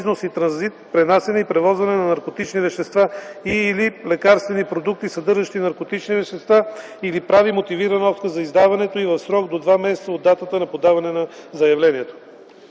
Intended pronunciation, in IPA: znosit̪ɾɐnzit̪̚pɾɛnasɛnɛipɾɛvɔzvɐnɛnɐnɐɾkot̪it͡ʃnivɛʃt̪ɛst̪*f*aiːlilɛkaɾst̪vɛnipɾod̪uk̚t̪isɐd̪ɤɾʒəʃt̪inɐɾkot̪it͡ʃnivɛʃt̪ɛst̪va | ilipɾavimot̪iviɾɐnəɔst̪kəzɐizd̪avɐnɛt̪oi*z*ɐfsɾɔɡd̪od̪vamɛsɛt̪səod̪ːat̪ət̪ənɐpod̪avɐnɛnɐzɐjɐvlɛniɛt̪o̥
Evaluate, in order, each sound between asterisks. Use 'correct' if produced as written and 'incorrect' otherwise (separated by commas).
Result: incorrect, incorrect